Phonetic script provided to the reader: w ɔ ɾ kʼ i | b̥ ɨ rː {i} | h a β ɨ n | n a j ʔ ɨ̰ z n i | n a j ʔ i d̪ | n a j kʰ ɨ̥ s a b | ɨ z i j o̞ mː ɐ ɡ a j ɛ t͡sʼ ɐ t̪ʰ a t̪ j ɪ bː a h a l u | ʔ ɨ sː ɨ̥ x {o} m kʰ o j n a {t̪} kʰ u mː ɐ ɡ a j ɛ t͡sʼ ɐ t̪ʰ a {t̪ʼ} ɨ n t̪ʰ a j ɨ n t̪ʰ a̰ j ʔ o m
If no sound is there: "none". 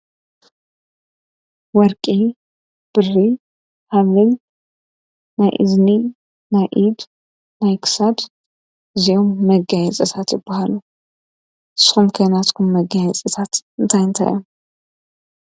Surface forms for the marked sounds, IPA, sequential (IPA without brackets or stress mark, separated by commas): i, u, t̪, t̪